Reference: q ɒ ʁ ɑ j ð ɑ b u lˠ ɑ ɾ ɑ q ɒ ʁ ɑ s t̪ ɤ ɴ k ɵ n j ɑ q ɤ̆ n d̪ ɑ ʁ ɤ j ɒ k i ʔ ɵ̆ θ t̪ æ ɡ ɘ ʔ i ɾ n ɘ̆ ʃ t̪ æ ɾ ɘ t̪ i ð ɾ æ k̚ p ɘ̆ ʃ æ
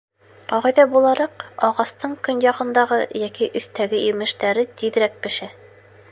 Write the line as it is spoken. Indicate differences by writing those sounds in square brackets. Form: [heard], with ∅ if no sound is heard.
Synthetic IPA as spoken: q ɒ ʁ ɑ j ð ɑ b u lˠ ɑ ɾ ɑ q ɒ ʁ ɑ s t̪ ɤ ɴ k ɵ n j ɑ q ɤ̆ n d̪ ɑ ʁ ɤ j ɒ k i ʔ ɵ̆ θ t̪ æ ɡ ɘ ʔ i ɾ [m] ɘ̆ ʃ t̪ æ ɾ ɘ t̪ i ð ɾ æ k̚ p ɘ̆ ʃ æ